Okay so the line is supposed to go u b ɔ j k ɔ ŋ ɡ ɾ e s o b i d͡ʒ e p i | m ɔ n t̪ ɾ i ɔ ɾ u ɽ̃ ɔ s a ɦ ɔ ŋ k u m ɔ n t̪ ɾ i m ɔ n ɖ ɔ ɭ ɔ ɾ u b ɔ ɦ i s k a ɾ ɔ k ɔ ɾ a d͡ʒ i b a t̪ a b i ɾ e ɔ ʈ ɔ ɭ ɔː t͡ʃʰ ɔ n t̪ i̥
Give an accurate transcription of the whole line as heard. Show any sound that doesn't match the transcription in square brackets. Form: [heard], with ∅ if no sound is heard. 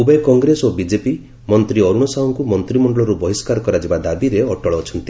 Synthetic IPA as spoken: u b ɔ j k ɔ ŋ ɡ ɾ e s o b i d͡ʒ e p i | m ɔ n t̪ ɾ i ɔ ɾ u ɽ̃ ɔ s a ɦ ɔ ŋ k u m ɔ n t̪ ɾ i m ɔ [ɳ] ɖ ɔ ɭ ɔ ɾ u b ɔ ɦ i s k a ɾ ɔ k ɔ ɾ a d͡ʒ i b a [d̪] a b i ɾ e ɔ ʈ ɔ ɭ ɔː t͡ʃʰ ɔ n t̪ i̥